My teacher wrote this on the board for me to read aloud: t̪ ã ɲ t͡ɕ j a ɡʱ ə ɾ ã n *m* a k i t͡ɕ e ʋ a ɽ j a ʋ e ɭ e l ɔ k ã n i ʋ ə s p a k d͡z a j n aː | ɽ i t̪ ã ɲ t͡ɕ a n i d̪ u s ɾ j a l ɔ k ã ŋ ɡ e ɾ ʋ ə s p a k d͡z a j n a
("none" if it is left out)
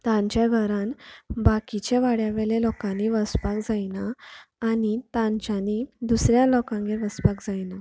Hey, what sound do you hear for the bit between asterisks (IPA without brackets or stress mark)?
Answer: b